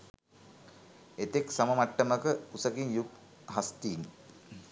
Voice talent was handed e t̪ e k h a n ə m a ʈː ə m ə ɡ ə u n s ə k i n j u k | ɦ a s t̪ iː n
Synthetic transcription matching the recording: e t̪ e k s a m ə m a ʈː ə m ə k ə u s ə k i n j u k | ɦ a s t̪ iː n